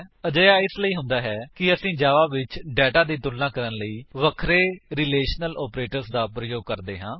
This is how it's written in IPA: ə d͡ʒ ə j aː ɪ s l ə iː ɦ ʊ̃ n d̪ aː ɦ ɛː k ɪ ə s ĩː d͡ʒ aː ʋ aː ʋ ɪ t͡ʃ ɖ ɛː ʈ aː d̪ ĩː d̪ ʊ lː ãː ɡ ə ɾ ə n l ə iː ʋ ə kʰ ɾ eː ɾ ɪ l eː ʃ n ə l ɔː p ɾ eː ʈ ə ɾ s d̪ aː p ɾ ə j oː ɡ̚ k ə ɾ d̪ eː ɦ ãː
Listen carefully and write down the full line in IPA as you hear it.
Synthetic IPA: ə d͡ʒ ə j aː ɪ s l ə iː ɦ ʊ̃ n d̪ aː ɦ ɛː k ɪ ə s ĩː d͡ʒ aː ʋ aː ʋ ɪ t͡ʃ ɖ ɛː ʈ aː d̪ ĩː t̪ ʊ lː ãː k ə ɾ ə n l ə iː ʋ ə kʰ ɾ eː ɾ ɪ l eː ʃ n ə l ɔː p ɾ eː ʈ ə ɾ s d̪ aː p ɾ ə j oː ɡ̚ k ə ɾ d̪ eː ɦ ãː